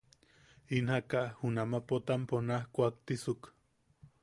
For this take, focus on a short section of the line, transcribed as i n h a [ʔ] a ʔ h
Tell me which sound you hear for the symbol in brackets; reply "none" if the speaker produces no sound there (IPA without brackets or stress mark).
k